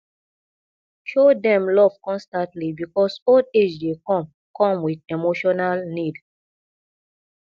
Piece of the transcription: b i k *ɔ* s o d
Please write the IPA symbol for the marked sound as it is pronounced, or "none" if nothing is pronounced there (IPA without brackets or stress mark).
ɔ